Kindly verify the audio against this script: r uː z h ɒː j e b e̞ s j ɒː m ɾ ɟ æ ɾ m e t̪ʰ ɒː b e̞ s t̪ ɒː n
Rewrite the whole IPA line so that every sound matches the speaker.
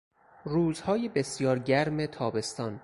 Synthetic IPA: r uː z h ɒː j e b e̞ s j ɒː ɾ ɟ æ ɾ m e t̪ʰ ɒː b e̞ s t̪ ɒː n